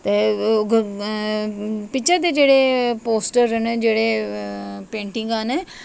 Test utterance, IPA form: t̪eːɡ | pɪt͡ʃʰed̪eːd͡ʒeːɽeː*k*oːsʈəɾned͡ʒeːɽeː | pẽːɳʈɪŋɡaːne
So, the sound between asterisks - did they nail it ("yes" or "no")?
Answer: no